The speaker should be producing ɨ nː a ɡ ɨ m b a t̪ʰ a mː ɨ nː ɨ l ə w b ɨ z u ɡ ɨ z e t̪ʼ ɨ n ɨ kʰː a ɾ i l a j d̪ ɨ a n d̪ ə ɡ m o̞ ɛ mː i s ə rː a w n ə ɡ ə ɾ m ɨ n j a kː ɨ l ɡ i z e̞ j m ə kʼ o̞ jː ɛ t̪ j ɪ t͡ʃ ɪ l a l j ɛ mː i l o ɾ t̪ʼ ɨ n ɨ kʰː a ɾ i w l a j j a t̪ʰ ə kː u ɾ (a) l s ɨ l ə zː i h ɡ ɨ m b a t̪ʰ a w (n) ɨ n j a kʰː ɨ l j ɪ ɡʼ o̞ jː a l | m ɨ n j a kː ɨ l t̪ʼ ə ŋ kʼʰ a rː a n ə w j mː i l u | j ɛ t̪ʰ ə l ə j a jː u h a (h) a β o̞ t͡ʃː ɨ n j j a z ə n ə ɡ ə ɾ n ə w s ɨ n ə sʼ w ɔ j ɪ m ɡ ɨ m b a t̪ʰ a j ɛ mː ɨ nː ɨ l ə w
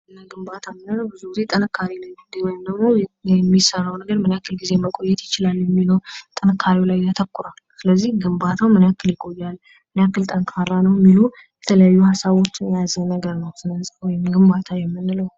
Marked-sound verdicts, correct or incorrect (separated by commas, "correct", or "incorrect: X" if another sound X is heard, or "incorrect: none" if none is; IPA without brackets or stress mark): correct, incorrect: m, incorrect: s